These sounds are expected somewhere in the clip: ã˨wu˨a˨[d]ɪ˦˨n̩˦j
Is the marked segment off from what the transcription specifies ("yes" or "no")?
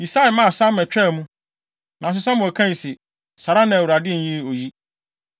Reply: no